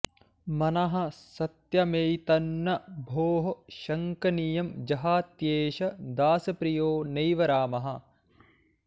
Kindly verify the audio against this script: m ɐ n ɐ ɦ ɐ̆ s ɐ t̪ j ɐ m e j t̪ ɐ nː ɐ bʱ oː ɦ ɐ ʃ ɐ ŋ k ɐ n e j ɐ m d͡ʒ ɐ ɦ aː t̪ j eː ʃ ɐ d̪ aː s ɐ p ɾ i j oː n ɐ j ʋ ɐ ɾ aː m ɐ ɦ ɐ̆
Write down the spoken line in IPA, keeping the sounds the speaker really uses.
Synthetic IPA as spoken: m ɐ n ɐ ɦ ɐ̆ s ɐ t̪ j ɐ m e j t̪ ɐ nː ɐ bʱ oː ɦ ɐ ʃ ɐ ŋ k ɐ n i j ɐ m d͡ʒ ɐ ɦ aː t̪ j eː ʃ ɐ d̪ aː s ɐ p ɾ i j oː n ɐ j ʋ ɐ ɾ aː m ɐ ɦ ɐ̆